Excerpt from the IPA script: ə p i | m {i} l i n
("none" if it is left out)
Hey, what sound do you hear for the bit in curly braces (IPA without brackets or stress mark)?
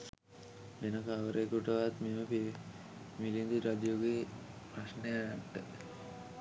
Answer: i